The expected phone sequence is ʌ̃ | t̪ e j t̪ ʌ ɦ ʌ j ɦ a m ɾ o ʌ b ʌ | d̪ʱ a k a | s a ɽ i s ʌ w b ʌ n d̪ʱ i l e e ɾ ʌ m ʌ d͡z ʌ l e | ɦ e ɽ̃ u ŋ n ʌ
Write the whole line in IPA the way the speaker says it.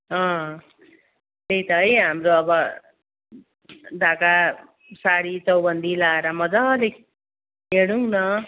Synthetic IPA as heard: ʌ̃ | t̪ e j t̪ ʌ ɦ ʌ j ɦ a m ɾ o ʌ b ʌ | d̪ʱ a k a | s a ɽ i t͡s ʌ w b ʌ n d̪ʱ i l a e ɾ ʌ m ʌ d͡z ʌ l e | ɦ e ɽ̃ u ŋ n ʌ